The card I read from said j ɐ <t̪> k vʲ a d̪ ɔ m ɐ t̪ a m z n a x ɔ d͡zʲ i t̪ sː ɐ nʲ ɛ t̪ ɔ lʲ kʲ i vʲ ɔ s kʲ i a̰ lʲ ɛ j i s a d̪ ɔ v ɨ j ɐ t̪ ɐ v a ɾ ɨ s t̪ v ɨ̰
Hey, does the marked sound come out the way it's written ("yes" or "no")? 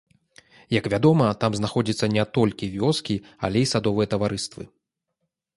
no